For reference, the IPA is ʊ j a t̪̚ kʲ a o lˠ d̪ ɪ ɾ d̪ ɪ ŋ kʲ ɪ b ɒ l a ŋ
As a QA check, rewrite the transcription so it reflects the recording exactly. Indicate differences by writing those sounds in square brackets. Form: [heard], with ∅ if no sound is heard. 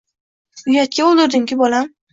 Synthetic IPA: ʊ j a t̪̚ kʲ a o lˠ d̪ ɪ ɾ d̪ ɪ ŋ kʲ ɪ b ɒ l a [m]